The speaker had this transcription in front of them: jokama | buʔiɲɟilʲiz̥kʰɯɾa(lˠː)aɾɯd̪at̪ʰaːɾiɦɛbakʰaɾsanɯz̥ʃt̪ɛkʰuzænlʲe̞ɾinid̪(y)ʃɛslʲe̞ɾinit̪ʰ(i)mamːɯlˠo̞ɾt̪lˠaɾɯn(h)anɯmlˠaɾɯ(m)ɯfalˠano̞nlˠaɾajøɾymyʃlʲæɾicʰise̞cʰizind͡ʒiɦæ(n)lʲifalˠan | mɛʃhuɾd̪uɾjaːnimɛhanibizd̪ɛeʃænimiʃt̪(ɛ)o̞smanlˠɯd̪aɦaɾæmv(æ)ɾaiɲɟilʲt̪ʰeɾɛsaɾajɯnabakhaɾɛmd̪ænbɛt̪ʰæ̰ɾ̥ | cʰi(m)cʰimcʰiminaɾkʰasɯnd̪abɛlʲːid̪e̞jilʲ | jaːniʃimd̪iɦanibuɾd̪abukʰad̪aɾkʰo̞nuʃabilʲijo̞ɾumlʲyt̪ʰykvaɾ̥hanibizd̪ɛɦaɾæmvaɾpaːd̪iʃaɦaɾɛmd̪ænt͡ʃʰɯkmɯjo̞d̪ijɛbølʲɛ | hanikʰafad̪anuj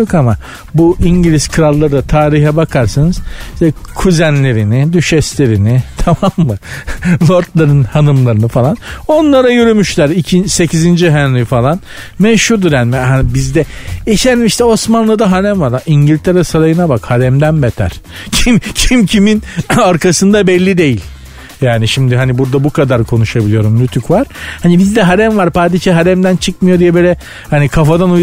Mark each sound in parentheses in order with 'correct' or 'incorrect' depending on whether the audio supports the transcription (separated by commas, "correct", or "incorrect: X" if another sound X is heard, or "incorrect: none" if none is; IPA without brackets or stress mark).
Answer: correct, correct, incorrect: a, correct, incorrect: n, correct, correct, incorrect: a, correct